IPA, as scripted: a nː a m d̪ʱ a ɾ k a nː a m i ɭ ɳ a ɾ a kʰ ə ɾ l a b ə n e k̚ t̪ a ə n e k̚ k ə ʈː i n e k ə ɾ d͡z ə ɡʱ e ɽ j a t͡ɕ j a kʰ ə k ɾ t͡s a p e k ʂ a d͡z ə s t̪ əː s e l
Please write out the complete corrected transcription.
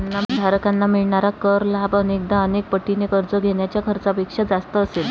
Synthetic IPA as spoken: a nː a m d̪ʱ a ɾ k a nː a m i ɭ ɳ a ɾ a k ə ɾ l a b ə n e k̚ d̪ a ə n e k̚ p ə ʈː i n e k ə ɾ d͡z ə ɡʱ e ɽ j a t͡ɕ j a kʰ ə ɾ t͡s a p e k ʂ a d͡z a s t̪ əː s e l